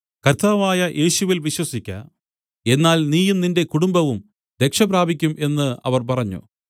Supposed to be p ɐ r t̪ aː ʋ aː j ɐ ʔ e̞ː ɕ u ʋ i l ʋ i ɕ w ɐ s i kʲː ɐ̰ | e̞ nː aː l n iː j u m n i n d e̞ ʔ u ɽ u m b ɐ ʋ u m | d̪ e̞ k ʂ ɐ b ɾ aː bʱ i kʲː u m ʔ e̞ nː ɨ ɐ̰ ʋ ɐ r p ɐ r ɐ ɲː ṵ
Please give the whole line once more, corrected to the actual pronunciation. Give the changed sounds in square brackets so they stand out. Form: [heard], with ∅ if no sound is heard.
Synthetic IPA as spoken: [k] ɐ r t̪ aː ʋ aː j ɐ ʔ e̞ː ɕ u ʋ i l ʋ i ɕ w ɐ s i kʲː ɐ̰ | e̞ nː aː l n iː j u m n i n d e̞ [k] u ɽ u m b ɐ ʋ u m | d̪ e̞ k ʂ ɐ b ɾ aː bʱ i kʲː u m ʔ e̞ nː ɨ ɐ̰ ʋ ɐ r p ɐ r ɐ ɲː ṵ